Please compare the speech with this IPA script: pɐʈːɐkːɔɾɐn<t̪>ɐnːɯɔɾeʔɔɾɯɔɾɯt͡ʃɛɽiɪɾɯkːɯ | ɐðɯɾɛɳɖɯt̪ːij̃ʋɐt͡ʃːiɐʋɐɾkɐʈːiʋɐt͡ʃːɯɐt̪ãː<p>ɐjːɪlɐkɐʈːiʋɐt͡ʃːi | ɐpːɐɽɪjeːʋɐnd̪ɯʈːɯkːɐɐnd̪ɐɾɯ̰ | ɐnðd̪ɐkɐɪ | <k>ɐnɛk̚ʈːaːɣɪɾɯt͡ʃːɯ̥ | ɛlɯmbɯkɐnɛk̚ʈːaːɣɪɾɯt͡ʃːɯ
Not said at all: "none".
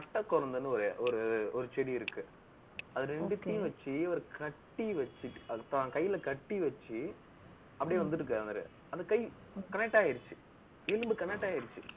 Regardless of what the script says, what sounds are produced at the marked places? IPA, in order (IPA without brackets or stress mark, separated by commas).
d̪, k, k